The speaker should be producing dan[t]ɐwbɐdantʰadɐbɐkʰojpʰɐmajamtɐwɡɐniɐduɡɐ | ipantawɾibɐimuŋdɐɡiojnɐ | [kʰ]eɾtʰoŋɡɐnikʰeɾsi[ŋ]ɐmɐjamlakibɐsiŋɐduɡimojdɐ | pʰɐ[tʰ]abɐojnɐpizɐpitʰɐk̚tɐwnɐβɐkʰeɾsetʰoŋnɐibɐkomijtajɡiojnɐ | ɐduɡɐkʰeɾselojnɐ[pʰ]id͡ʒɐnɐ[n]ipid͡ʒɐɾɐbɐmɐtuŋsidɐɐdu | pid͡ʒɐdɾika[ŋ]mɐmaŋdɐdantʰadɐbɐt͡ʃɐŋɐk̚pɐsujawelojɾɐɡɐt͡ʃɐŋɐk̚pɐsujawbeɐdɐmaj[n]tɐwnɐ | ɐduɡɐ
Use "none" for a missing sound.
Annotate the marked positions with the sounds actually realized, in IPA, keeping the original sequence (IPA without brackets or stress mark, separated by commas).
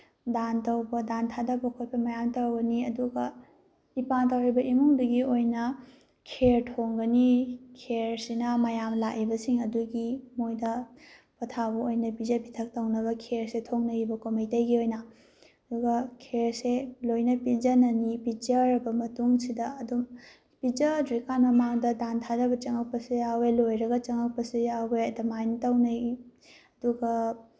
t, kʰ, n, tʰ, p, n, n, n